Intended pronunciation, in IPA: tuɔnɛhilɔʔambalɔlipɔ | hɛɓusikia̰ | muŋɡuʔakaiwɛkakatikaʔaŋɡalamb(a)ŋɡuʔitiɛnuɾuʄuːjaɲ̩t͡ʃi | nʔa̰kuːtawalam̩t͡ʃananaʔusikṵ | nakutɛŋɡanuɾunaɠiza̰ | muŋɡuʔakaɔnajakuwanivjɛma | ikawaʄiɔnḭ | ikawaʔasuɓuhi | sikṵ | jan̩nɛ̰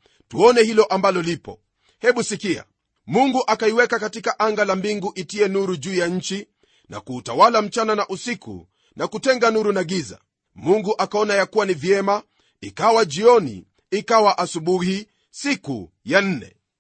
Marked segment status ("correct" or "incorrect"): incorrect